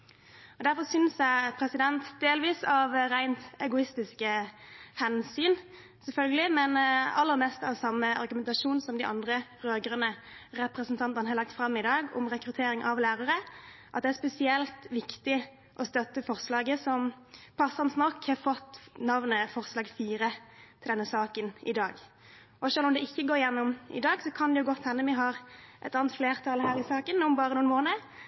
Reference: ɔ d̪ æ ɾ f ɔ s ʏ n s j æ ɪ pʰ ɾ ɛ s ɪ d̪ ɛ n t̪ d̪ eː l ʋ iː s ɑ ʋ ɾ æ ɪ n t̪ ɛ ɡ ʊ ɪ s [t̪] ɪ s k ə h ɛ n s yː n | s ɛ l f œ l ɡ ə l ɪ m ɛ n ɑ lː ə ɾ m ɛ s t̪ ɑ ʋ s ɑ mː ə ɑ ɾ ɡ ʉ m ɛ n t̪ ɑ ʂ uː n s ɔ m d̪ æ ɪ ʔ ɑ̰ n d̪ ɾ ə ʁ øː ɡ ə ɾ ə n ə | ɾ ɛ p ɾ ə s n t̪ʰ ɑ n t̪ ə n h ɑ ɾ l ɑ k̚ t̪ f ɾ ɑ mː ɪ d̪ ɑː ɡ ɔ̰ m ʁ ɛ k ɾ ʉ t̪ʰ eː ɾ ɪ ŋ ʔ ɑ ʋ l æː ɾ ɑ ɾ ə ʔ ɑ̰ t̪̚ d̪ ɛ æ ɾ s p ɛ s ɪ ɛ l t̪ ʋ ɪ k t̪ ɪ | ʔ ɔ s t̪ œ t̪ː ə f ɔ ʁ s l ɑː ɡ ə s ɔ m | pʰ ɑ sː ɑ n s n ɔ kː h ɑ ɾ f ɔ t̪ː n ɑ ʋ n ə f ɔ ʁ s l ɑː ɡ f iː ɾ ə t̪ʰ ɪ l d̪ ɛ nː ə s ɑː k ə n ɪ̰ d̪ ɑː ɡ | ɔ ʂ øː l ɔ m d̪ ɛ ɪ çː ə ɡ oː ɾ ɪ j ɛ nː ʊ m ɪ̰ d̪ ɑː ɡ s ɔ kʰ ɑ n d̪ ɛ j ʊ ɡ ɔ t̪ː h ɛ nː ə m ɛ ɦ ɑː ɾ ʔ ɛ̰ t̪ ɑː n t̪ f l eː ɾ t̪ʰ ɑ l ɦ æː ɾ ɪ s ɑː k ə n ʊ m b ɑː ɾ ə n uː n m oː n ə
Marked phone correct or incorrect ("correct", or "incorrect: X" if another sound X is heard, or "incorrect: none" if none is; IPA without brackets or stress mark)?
correct